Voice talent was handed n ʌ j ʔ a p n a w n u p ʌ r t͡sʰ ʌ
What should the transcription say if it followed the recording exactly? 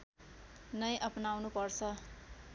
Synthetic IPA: n ʌ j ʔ ʌ p n a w n u p ʌ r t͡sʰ ʌ